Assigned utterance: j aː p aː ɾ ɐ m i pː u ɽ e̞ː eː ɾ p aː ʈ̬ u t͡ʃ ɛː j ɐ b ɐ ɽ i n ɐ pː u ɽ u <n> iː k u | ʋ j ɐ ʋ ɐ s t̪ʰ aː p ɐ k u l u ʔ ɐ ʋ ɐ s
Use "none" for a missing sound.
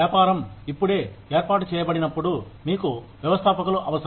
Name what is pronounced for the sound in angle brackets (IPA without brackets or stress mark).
m